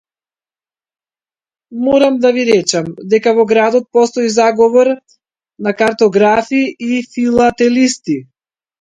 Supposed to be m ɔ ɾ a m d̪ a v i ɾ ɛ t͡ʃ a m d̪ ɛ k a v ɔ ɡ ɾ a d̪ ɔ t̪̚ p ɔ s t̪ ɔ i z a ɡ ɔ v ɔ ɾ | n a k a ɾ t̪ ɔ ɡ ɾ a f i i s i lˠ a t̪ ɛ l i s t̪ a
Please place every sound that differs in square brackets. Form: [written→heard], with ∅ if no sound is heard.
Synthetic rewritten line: m ɔ ɾ a m d̪ a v i ɾ ɛ t͡ʃ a m d̪ ɛ k a v ɔ ɡ ɾ a d̪ ɔ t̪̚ p ɔ s t̪ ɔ i z a ɡ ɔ v ɔ ɾ | n a k a ɾ t̪ ɔ ɡ ɾ a f i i [s→f] i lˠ a t̪ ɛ l i s t̪ [a→i]